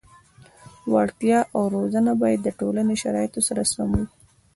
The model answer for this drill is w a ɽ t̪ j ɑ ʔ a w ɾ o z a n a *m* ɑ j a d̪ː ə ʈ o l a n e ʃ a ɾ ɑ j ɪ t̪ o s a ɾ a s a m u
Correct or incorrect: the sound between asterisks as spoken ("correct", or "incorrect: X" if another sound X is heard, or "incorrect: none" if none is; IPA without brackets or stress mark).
incorrect: b